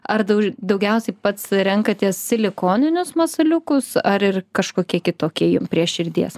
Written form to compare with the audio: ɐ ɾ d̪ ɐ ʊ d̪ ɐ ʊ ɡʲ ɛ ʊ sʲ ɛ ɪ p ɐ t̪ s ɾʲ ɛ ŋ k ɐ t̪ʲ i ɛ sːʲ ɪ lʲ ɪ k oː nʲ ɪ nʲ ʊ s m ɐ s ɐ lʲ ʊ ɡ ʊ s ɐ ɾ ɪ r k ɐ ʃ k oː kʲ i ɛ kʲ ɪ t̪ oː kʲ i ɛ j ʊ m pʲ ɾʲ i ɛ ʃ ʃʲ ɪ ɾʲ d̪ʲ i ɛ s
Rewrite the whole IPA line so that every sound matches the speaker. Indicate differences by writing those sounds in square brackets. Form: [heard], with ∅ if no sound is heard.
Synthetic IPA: ɐ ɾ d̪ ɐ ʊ d̪ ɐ ʊ ɡʲ ɛ ʊ sʲ ɛ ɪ p ɐ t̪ s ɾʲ ɛ ŋ k ɐ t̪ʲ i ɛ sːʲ ɪ lʲ ɪ k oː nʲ ɪ nʲ ʊ s m ɐ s ɐ lʲ ʊ [k] ʊ s ɐ ɾ ɪ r k ɐ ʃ k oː kʲ i ɛ kʲ ɪ t̪ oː kʲ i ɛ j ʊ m pʲ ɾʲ i ɛ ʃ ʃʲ ɪ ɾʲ d̪ʲ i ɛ s